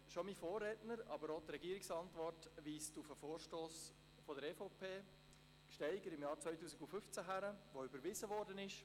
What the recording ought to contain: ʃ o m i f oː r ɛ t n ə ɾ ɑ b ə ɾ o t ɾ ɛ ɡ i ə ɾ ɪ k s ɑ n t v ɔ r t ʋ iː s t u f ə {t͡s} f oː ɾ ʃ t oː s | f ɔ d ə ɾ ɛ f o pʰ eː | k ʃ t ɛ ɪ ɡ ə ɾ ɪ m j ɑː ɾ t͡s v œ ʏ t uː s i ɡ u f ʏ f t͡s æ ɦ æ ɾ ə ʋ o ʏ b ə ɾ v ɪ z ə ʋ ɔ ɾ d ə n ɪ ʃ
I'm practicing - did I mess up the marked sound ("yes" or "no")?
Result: yes